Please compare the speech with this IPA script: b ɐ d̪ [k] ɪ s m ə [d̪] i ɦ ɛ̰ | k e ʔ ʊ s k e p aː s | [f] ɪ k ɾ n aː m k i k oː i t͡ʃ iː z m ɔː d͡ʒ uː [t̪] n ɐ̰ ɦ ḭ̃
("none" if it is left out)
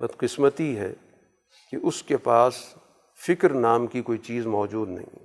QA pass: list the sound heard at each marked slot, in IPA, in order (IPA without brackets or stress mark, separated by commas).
q, t̪, f, d̪